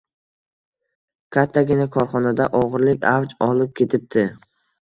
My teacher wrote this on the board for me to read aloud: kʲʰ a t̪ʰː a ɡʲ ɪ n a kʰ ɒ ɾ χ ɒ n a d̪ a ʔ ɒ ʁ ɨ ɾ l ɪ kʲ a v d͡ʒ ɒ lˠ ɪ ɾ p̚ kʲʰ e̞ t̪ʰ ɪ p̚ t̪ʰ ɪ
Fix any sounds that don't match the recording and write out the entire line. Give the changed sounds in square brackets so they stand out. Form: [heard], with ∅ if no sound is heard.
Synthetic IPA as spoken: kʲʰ a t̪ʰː a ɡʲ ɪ n a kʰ ɒ ɾ χ ɒ n a d̪ a ʔ ɒ ʁ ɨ ɾ l ɪ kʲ a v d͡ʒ ɒ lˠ ɪ [∅] p̚ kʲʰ e̞ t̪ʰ ɪ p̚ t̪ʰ ɪ